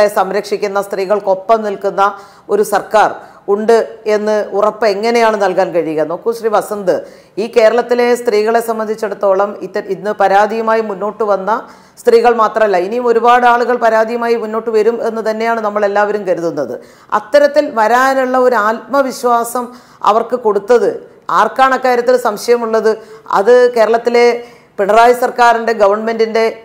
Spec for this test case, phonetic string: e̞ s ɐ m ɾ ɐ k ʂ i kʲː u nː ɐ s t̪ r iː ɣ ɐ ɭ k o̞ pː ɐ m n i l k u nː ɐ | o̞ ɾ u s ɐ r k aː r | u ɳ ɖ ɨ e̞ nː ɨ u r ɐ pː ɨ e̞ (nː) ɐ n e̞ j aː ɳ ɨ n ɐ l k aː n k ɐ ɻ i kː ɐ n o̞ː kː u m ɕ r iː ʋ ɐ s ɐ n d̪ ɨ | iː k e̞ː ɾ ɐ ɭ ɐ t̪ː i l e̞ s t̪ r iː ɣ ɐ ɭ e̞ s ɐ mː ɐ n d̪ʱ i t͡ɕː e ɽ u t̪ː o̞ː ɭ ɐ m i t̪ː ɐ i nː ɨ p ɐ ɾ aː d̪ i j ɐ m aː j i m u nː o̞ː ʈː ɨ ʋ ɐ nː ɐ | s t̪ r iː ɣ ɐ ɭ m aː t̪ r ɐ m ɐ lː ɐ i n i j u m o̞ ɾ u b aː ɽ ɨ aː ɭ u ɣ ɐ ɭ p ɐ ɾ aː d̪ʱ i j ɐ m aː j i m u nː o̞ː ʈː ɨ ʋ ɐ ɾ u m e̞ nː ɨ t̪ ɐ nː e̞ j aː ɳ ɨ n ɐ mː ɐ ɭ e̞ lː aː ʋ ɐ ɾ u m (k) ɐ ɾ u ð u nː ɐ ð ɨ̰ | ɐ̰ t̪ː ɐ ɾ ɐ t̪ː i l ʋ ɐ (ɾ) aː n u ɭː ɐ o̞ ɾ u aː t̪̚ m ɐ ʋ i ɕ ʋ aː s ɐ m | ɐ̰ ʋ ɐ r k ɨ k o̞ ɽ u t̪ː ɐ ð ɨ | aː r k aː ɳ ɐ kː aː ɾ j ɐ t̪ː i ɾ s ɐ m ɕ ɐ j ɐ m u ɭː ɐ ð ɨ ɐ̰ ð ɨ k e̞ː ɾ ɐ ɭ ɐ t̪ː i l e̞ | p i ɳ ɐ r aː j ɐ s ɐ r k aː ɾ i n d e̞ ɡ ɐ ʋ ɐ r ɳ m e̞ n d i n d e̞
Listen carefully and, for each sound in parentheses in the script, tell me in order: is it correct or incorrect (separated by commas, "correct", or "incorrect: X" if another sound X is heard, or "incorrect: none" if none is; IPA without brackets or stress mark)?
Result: incorrect: ŋː, correct, correct